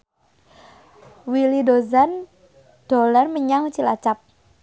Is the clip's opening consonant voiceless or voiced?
voiced